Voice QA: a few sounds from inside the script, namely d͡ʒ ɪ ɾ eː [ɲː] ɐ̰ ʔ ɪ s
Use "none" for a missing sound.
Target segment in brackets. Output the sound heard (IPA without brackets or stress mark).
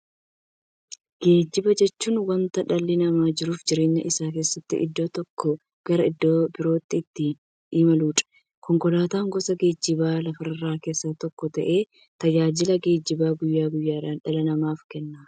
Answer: ɲː